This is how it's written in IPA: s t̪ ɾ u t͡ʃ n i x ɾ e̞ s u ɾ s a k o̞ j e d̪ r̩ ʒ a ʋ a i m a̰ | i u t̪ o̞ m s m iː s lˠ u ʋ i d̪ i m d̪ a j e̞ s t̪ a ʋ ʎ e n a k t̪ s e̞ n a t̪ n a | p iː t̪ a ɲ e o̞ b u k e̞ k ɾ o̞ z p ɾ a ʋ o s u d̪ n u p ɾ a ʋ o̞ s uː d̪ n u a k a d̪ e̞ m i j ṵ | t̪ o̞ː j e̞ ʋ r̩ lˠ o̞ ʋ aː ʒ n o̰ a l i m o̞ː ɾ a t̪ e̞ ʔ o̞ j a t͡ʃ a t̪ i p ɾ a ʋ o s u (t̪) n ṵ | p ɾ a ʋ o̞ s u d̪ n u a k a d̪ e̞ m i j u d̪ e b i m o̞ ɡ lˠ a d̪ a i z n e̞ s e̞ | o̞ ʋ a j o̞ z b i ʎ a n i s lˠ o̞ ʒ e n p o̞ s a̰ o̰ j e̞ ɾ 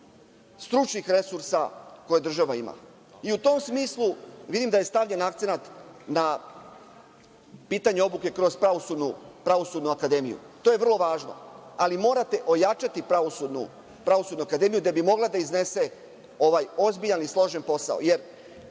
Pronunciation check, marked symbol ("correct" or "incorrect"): incorrect